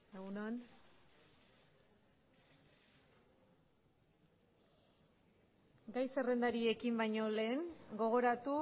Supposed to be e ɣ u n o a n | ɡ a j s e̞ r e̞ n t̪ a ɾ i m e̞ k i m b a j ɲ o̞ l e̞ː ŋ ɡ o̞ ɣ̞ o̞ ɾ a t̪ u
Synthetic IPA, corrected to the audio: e ɣ u n o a n | ɡ a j s e̞ r e̞ n d̪ a ɾ i e̞ k i m b a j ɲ o̞ l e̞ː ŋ ɡ o̞ ɣ̞ o̞ ɾ a t̪ u